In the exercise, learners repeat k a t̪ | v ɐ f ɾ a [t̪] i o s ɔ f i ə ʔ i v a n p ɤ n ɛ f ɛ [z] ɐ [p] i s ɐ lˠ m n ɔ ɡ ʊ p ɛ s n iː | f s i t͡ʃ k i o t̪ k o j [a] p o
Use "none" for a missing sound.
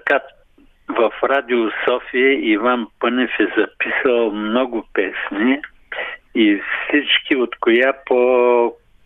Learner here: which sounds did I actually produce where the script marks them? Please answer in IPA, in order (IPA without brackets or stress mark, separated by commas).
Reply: d̪, z, p, a